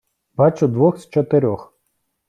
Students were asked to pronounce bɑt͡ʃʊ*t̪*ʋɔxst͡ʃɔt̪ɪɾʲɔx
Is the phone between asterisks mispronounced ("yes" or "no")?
yes